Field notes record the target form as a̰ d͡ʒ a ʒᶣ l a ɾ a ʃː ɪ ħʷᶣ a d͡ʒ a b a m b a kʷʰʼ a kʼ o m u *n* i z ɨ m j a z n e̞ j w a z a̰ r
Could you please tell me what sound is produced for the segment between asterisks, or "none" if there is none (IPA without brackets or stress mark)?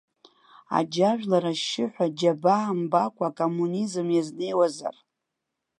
n